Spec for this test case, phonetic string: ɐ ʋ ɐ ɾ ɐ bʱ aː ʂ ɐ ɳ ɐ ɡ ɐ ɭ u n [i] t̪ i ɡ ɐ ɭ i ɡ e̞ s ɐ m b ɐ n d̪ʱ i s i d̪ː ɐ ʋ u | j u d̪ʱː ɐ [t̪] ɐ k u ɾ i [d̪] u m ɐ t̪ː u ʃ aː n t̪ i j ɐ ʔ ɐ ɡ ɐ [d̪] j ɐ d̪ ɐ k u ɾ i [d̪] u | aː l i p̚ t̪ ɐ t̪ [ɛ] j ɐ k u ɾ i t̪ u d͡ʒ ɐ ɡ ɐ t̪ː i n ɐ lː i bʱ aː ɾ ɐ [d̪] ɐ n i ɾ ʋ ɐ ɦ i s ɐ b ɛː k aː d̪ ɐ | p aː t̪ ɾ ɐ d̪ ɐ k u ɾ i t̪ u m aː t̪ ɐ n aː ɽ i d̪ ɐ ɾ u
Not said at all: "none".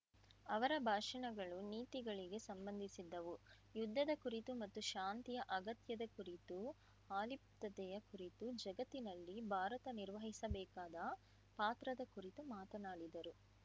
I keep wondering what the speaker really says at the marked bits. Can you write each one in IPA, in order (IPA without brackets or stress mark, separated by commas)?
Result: iː, d̪, t̪, t̪, t̪, ɛ, t̪